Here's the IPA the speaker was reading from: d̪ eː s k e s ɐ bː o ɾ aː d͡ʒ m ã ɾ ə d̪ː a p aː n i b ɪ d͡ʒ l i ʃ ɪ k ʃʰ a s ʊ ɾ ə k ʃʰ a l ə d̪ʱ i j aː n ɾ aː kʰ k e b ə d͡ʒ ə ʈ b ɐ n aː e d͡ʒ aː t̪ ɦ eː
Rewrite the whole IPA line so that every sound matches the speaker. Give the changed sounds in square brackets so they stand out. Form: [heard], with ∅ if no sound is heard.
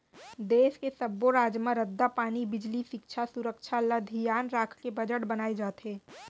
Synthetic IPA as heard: d̪ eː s k e s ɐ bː o ɾ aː d͡ʒ m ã ɾ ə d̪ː a p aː n i b ɪ d͡ʒ l i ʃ ɪ k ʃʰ a s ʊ ɾ ə k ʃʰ a l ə d̪ʱ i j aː n ɾ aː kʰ k e b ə d͡ʒ ə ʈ b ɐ n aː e d͡ʒ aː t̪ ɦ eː